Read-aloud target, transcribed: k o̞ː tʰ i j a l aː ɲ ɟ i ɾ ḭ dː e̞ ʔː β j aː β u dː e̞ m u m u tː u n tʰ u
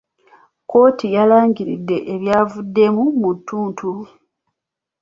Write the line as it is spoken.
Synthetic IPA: k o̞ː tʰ i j a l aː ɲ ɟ i ɾ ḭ dː e̞ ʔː β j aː v u dː e̞ m u m u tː uː n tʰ u